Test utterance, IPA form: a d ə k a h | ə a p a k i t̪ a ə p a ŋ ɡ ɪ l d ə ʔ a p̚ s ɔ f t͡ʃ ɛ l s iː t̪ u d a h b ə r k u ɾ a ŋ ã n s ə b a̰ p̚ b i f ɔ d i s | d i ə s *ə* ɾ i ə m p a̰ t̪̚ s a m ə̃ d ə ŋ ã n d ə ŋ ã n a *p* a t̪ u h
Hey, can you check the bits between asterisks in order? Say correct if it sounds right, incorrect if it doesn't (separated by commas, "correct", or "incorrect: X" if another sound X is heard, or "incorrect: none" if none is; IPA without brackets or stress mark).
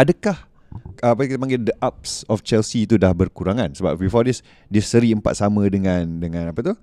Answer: correct, correct